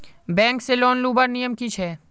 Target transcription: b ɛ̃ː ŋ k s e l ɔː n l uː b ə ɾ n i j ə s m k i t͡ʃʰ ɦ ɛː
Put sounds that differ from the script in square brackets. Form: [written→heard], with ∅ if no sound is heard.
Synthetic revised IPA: b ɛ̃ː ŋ k s e l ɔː n l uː b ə ɾ n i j ə [s→∅] m k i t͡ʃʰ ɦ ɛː

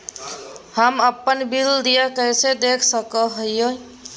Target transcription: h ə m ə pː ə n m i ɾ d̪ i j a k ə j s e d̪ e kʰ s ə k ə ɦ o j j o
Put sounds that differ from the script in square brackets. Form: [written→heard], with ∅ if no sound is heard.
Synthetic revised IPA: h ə m ə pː ə n [m→b] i [ɾ→l] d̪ i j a k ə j s e d̪ e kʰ s ə k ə ɦ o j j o

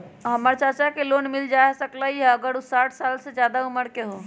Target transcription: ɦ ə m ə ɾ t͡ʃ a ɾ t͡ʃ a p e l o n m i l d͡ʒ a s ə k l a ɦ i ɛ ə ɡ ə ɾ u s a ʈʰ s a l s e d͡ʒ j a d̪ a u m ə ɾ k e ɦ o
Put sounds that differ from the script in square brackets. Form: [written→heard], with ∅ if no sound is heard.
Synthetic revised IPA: ɦ ə m ə ɾ t͡ʃ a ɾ t͡ʃ a [p→k] e l o n m i l d͡ʒ a s ə k l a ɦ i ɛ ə ɡ ə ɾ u s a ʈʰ s a l s e d͡ʒ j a d̪ a u m ə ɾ k e ɦ o

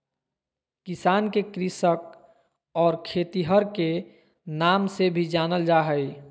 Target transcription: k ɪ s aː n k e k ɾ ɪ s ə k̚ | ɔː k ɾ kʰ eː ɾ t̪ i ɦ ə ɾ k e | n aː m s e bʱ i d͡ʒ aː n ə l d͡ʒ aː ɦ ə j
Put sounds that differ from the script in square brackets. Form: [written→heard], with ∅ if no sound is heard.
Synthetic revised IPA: k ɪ s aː n k e k ɾ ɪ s ə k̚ | ɔː [k→∅] ɾ kʰ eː [ɾ→∅] t̪ i ɦ ə ɾ k e | n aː m s e bʱ i d͡ʒ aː n ə l d͡ʒ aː ɦ ə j

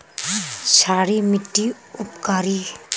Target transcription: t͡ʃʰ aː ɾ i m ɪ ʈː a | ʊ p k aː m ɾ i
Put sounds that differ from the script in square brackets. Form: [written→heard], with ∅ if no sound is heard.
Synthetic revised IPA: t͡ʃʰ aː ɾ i m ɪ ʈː [a→i] | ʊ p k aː [m→∅] ɾ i

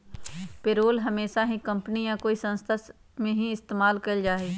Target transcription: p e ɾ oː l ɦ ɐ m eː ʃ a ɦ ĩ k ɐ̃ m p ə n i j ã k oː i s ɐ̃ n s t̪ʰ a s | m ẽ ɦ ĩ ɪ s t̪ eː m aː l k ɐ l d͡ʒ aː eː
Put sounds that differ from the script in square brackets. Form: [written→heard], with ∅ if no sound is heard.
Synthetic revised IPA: p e ɾ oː l ɦ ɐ m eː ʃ a ɦ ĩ k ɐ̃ m p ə n i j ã k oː i s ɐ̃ n s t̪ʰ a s | m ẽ ɦ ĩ ɪ s t̪ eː m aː l k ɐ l d͡ʒ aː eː

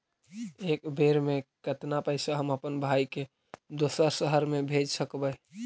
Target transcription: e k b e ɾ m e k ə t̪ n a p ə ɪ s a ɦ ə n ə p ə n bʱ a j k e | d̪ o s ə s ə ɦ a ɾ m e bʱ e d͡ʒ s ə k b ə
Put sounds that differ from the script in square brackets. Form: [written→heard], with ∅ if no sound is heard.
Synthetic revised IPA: e k b e ɾ m e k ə t̪ n a p ə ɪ s a ɦ ə [n→m] ə p ə n bʱ a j k e | d̪ o s ə s ə ɦ [a→ə] ɾ m e bʱ e d͡ʒ s ə k b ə

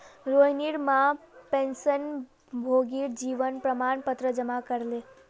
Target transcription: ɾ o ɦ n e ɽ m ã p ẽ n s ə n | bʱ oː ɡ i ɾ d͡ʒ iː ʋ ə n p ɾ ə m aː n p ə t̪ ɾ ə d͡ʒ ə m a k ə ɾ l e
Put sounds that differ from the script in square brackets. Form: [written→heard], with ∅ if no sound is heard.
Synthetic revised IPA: ɾ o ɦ n [e→i] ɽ m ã p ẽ n s ə n | bʱ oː ɡ i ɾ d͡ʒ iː ʋ ə n p ɾ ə m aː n p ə t̪ ɾ ə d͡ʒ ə m a k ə ɾ l e

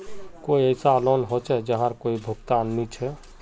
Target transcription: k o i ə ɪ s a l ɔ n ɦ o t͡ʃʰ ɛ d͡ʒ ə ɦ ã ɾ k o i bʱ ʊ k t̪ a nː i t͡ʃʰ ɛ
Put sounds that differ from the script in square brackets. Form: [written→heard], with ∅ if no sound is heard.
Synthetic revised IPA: k o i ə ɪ s a l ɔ n ɦ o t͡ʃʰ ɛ d͡ʒ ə ɦ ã ɾ k o i bʱ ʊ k t̪ a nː i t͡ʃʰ ɛ

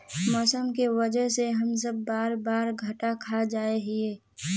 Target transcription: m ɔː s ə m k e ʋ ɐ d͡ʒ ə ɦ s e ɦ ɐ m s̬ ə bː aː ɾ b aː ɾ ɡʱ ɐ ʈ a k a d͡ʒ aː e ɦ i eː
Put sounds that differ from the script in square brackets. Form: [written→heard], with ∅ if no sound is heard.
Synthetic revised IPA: m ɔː s ə m k e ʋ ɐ d͡ʒ ə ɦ s e ɦ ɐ m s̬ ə bː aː ɾ b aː ɾ ɡʱ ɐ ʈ a [k→kʰ] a d͡ʒ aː e ɦ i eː

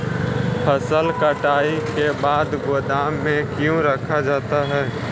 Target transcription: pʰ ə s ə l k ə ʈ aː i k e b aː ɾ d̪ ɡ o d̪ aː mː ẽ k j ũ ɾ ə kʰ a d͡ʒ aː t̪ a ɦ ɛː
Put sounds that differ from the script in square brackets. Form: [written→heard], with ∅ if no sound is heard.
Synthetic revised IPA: pʰ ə s ə l k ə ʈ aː i k e b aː [ɾ→∅] d̪ ɡ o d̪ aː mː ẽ k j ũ ɾ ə kʰ a d͡ʒ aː t̪ a ɦ ɛː

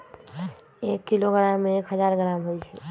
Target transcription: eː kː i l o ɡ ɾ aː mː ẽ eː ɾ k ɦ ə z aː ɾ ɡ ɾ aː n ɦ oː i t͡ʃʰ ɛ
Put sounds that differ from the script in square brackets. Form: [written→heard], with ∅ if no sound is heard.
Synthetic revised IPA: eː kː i l o ɡ ɾ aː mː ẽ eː [ɾ→∅] k ɦ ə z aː ɾ ɡ ɾ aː [n→m] ɦ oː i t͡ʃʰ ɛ

